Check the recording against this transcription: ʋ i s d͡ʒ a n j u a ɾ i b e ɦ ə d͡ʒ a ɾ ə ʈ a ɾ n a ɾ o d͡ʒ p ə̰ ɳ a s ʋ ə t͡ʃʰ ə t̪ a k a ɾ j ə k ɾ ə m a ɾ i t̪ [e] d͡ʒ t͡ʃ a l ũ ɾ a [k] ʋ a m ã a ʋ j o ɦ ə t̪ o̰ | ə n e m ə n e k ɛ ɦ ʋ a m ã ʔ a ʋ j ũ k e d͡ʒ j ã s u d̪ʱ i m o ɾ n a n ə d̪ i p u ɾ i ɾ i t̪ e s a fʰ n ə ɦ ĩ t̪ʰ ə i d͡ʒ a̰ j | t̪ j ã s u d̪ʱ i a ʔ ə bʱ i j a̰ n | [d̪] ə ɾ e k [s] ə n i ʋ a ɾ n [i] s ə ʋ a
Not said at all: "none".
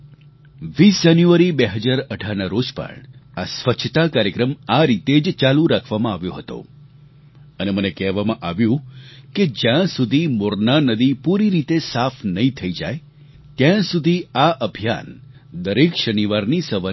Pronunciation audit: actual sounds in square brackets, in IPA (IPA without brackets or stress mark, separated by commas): e, kʰ, d̪, ʃ, i